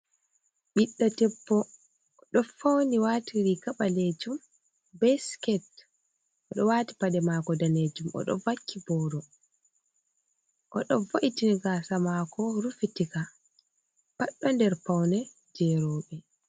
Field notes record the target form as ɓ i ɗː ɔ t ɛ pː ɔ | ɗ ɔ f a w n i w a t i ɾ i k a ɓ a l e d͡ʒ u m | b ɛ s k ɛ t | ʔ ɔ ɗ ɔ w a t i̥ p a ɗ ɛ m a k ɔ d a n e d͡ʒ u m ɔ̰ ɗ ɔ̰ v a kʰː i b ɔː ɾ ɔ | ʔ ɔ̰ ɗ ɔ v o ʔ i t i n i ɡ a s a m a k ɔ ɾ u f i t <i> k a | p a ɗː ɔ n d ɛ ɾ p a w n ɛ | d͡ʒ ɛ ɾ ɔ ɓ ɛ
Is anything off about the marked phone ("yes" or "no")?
no